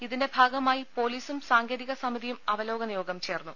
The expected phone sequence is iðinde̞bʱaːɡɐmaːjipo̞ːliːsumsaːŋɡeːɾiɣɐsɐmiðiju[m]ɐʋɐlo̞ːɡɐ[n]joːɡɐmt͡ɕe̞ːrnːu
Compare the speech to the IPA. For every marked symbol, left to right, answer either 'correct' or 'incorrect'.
correct, correct

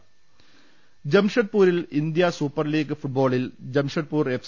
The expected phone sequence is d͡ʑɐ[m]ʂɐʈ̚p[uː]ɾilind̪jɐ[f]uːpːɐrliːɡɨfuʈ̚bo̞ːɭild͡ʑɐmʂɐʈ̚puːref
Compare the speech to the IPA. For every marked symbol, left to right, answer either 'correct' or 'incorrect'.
correct, correct, incorrect: s

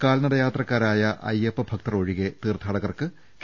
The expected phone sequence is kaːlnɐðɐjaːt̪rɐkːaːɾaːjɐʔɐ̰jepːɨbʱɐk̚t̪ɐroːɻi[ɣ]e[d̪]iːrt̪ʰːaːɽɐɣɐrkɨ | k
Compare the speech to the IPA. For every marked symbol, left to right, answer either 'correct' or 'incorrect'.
correct, incorrect: t̪

